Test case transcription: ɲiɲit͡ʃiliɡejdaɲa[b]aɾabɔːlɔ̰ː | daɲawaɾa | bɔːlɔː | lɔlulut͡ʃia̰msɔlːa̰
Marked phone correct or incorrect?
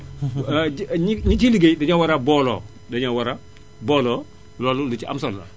incorrect